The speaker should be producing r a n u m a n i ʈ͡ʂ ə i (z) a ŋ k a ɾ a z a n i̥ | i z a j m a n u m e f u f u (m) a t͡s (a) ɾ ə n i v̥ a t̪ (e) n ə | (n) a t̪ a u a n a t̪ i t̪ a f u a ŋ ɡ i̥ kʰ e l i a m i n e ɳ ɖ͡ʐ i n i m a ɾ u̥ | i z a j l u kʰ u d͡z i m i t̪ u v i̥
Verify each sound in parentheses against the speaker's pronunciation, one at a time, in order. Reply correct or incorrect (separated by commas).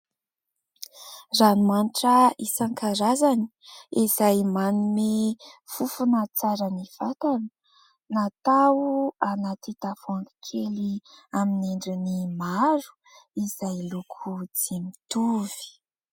incorrect, incorrect, correct, incorrect, correct